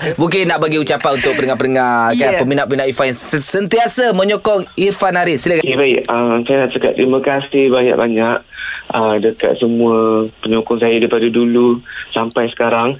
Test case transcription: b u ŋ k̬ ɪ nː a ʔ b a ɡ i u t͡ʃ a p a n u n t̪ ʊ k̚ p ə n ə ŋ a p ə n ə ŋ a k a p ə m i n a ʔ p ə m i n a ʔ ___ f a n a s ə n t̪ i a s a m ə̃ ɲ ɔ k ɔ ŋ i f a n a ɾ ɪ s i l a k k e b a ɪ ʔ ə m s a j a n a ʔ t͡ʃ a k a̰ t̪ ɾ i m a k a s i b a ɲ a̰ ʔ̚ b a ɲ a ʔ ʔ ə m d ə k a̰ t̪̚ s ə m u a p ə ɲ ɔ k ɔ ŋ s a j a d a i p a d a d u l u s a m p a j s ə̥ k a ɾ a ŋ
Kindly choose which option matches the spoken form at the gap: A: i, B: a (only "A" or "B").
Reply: A